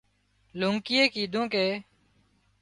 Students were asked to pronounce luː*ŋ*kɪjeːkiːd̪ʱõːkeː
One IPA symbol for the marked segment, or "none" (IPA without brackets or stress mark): ŋ